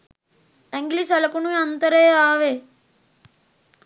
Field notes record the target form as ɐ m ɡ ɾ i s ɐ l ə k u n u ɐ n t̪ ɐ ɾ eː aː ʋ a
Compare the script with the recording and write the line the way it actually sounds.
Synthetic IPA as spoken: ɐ ŋ ɡ l i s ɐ l ɐ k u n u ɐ n t̪ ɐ ɾ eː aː ʋ e